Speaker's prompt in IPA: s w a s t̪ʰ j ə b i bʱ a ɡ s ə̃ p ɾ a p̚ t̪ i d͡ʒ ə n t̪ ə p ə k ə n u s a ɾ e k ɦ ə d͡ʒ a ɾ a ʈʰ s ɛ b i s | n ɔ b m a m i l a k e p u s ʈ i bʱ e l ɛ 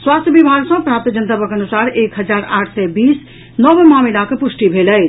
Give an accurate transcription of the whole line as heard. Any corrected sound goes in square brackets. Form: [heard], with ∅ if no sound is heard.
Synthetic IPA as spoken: s w a s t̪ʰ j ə b i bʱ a ɡ s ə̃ p ɾ a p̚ t̪ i d͡ʒ ə n t̪ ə p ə k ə n u s a ɾ e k ɦ ə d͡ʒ a ɾ a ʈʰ s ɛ b i s | n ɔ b m a m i l a k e p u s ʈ i bʱ e l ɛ

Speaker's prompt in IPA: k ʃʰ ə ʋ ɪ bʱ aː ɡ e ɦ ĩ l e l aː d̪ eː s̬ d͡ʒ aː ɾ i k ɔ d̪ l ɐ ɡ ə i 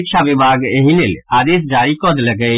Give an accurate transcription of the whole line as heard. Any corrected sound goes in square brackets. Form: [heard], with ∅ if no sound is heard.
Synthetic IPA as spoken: k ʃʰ [a] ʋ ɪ bʱ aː ɡ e ɦ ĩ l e l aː d̪ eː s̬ d͡ʒ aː ɾ i k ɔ d̪ l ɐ ɡ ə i

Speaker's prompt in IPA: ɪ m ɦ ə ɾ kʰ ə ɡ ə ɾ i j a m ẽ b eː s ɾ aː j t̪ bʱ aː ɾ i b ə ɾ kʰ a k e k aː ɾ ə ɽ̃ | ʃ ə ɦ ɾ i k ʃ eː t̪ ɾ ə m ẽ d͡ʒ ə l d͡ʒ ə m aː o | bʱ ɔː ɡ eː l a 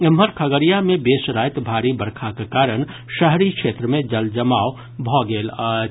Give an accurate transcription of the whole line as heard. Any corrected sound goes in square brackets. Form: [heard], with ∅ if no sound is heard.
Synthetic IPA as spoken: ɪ m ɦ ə ɾ kʰ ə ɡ ə ɾ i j a m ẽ b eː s ɾ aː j t̪ bʱ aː ɾ i b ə ɾ kʰ a k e k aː ɾ ə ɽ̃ | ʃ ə ɦ ɾ i k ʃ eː t̪ ɾ ə m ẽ d͡ʒ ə l d͡ʒ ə m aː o | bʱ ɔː ɡ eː l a

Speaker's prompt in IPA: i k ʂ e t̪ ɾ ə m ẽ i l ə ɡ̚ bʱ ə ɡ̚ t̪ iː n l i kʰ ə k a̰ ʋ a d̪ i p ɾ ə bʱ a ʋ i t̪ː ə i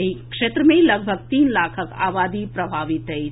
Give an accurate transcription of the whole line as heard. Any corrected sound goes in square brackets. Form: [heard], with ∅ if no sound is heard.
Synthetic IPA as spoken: i k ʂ e t̪ ɾ ə m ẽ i l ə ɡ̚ bʱ ə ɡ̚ t̪ iː n l [a] kʰ ə k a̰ ʋ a d̪ i p ɾ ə bʱ a ʋ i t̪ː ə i

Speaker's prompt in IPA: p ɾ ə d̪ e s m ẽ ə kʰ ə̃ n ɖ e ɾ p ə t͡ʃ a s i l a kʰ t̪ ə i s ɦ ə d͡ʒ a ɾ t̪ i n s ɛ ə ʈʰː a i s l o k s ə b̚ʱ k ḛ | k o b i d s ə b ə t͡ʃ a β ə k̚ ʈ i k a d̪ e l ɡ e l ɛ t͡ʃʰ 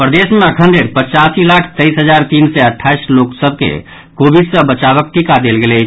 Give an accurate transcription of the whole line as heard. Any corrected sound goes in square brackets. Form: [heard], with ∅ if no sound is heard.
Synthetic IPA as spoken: p ɾ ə d̪ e s m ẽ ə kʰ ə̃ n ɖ e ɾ p ə t͡ʃ a s i l a kʰ t̪ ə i s ɦ ə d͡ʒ a ɾ t̪ i n s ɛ ə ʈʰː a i s l o k s ə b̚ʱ k ḛ | k o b i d s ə b ə t͡ʃ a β ə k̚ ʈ i k a d̪ e l ɡ e l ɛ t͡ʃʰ

